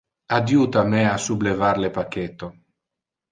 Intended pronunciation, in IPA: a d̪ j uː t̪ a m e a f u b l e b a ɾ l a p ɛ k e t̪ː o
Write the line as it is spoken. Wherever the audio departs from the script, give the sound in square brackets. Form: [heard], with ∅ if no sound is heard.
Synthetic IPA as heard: a d̪ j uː t̪ a m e a [s] u b l e [v] a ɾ l [e] p [a] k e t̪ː o